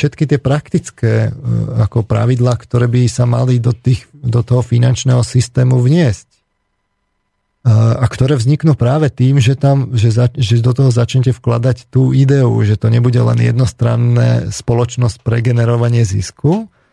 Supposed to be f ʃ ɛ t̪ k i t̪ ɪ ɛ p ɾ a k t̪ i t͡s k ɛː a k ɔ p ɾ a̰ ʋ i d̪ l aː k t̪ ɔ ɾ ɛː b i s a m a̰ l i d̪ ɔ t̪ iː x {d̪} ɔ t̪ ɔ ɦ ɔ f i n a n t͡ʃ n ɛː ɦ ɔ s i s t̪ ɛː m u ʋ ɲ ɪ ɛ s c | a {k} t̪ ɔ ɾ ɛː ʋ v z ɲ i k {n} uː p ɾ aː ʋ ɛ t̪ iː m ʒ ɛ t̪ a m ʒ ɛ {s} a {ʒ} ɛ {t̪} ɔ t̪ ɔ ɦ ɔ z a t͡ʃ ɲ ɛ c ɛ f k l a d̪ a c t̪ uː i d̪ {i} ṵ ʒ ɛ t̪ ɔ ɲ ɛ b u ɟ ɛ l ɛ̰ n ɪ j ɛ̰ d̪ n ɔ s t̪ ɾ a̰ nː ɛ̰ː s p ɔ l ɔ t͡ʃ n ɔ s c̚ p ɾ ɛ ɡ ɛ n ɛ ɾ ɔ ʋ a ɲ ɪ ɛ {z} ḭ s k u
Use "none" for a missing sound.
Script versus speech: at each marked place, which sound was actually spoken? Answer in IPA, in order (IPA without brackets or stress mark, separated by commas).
d̪, k, n, z, ʒ, d̪, ɛ, z